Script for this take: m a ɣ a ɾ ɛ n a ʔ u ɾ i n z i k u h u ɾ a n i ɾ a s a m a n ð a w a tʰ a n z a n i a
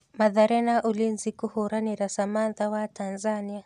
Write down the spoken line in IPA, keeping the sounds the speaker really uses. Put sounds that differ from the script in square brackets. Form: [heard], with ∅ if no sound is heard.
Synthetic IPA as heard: m a [ð] a ɾ ɛ n a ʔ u [l] i n z i k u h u ɾ a n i ɾ a s a m a n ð a w a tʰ a n z a n i a